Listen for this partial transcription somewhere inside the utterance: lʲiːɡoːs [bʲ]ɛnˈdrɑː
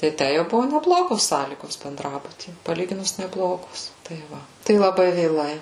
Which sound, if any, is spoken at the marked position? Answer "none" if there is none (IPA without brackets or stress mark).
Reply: bʲ